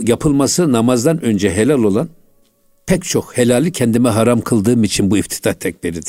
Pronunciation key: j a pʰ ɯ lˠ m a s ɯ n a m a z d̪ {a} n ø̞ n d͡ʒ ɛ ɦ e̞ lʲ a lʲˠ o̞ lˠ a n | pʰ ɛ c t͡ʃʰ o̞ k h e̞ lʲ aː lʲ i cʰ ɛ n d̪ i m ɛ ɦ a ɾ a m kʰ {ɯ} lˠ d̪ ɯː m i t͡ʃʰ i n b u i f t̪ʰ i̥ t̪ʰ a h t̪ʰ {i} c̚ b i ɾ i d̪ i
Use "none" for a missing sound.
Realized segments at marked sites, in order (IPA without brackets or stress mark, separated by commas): a, ɯ, ɛ